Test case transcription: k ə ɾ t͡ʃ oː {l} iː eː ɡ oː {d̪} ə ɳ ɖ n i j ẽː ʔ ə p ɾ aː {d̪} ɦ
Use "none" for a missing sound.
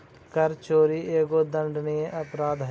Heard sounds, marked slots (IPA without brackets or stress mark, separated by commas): ɾ, d̪, d̪